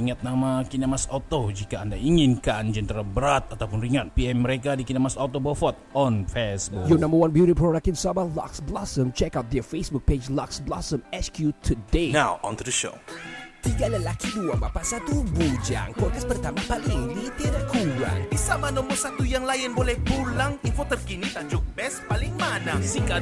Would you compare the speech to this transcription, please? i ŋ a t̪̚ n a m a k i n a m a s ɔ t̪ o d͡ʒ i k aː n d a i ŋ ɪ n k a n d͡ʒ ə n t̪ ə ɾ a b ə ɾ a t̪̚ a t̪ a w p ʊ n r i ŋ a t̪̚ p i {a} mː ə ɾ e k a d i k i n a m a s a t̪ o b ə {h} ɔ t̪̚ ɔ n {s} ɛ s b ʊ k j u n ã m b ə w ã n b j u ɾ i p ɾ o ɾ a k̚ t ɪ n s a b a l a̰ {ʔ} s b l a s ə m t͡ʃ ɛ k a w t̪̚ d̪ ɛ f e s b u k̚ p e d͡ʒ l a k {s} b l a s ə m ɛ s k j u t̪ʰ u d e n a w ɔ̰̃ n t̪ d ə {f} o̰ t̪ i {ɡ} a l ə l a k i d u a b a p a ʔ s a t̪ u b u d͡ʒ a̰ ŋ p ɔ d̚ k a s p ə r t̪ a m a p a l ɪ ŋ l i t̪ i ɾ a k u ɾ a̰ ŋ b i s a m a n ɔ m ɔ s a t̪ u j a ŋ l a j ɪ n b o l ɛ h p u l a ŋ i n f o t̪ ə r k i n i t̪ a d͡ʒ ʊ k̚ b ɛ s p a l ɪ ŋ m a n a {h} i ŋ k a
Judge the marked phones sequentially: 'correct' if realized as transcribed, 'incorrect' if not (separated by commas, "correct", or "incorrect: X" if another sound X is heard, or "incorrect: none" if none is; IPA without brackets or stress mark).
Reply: incorrect: ɛ, incorrect: f, incorrect: f, incorrect: k, correct, incorrect: ʃ, correct, incorrect: s